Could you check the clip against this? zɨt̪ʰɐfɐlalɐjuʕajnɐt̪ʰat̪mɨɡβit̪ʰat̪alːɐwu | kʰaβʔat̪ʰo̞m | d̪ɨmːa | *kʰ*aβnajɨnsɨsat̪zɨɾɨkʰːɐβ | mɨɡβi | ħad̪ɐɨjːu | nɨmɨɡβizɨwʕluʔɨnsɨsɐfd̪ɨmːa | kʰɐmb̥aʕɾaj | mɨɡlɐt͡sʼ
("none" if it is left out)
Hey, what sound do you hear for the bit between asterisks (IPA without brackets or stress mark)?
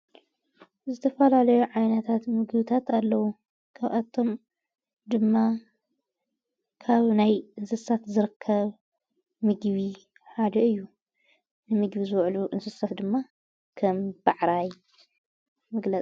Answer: kʰ